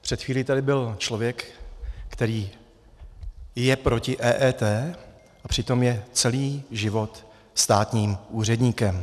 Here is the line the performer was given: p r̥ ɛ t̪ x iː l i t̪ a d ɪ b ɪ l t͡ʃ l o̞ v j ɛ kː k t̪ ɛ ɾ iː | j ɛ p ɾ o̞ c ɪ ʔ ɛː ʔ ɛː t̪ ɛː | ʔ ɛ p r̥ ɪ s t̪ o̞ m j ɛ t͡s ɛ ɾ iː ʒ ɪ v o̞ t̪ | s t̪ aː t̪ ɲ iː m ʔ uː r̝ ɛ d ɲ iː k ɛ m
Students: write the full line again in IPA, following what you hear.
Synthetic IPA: p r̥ ɛ t̪ x iː l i t̪ a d ɪ b ɪ l t͡ʃ l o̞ v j ɛ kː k t̪ ɛ ɾ iː | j ɛ p ɾ o̞ c ɪ ʔ ɛː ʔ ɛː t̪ ɛː | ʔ a p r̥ ɪ t̪ o̞ m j ɛ t͡s ɛ l iː ʒ ɪ v o̞ t̪ | s t̪ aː t̪ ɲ iː m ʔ uː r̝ ɛ d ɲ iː k ɛ m